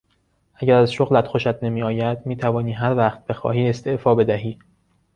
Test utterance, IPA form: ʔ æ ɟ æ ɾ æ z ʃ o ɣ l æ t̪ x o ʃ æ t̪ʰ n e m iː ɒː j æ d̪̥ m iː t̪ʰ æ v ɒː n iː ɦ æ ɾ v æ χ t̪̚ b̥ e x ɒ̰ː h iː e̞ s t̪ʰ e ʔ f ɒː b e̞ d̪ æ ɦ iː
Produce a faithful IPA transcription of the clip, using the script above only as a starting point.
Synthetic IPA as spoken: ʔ æ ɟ æ ɾ æ z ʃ o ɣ l æ t̪ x o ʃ æ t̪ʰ n e m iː ɒː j æ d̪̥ m iː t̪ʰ æ v ɒː n iː ɦ æ ɾ v æ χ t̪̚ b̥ e x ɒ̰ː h iː e̞ s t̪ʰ e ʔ f ɒː b e̞ d̪ æ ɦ iː